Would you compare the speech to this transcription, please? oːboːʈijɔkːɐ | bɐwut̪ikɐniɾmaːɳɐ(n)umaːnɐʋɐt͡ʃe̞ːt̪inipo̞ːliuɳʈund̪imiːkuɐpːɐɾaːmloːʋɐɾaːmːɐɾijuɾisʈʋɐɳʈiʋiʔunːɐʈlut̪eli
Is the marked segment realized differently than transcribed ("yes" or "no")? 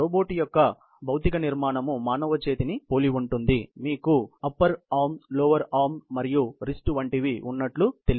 yes